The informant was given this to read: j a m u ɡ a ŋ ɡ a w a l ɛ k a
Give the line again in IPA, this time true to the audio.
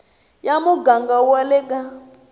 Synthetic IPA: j a m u ɡ a ŋ ɡ a w a l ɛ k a